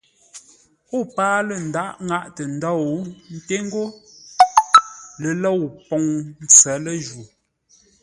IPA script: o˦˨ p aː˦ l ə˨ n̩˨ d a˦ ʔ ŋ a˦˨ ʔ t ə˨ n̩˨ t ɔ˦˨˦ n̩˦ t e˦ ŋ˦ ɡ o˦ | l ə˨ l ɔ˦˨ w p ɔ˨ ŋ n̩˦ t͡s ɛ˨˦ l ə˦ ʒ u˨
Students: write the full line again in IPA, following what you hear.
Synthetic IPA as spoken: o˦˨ p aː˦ l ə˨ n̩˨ d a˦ ʔ ŋ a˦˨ ʔ t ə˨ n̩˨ d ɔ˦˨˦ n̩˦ t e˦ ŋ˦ ɡ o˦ | l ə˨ l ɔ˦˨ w p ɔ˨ ŋ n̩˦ t͡s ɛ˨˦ l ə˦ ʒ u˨